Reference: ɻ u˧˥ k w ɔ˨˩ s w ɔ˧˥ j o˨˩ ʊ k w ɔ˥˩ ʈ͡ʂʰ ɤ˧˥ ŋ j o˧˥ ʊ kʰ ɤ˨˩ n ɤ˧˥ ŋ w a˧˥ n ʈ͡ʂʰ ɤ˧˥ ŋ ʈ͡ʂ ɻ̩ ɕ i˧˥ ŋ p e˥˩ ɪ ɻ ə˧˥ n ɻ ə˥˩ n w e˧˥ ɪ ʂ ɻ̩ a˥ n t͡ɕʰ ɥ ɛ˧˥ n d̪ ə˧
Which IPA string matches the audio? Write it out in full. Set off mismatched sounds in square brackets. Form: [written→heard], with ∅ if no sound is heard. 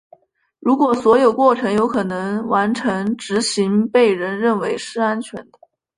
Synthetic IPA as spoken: ɻ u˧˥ k w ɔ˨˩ s w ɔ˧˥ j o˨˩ ʊ k w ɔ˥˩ ʈ͡ʂʰ ɤ˧˥ ŋ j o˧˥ ʊ kʰ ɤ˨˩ n ɤ˧˥ ŋ w a˧˥ n ʈ͡ʂʰ ɤ˧˥ ŋ ʈ͡ʂ ɻ̩ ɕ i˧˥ ŋ p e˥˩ ɪ ɻ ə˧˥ n ɻ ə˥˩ n w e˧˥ ɪ ʂ ɻ̩ a˥ n t͡ɕʰ ɥ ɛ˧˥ n d̪ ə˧